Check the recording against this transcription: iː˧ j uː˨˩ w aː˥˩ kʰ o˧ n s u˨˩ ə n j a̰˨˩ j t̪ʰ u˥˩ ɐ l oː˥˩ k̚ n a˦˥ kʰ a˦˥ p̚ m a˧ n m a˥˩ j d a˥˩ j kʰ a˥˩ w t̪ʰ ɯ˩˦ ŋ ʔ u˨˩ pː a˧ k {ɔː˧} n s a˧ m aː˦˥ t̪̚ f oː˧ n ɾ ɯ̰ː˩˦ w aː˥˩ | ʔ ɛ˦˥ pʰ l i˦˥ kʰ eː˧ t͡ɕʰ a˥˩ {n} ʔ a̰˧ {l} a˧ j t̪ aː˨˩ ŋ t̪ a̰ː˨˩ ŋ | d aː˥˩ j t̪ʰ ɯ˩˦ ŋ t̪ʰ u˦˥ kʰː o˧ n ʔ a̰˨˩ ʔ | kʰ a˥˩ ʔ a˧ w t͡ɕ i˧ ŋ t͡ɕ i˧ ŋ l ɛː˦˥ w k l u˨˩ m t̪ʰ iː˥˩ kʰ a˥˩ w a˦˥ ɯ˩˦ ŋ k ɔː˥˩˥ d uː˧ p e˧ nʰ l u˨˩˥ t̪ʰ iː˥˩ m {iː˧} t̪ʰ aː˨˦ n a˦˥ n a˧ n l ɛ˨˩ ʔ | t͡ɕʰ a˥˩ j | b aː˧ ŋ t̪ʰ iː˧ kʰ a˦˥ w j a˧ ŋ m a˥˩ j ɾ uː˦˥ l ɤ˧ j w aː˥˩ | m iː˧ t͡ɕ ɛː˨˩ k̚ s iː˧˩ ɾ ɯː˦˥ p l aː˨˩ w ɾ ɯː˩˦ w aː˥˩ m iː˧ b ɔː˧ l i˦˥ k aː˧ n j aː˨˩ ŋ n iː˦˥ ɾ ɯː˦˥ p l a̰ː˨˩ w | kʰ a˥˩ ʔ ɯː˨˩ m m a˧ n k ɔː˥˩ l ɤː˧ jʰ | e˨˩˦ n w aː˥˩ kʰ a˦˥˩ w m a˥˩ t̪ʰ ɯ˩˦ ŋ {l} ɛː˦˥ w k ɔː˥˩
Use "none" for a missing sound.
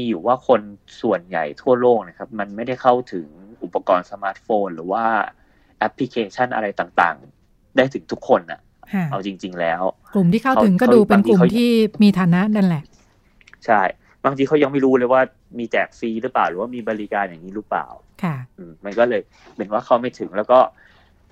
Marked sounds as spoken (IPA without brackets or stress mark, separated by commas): ɔː˧, n, ɾ, iː˧, l